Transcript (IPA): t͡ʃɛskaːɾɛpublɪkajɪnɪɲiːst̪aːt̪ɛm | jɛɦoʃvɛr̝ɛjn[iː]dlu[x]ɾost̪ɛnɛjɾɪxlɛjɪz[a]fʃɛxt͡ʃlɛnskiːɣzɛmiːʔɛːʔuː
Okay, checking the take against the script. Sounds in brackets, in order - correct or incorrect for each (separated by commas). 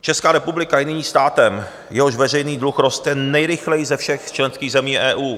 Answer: correct, correct, incorrect